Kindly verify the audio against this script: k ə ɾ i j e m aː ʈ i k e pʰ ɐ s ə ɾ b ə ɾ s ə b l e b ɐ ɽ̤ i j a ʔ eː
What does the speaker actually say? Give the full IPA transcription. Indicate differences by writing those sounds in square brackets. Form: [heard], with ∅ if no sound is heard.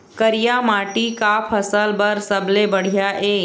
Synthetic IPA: k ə ɾ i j [a] m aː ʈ i k [a] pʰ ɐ s ə [l] b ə ɾ s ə b l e b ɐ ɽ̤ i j a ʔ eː